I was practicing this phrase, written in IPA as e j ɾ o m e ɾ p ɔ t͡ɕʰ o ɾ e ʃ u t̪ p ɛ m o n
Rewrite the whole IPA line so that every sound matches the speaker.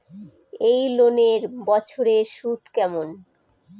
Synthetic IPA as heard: e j l o n e ɾ b ɔ t͡ɕʰ o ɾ e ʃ u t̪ k ɛ m o n